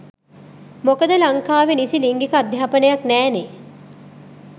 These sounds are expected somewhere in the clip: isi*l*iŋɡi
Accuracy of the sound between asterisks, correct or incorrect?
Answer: correct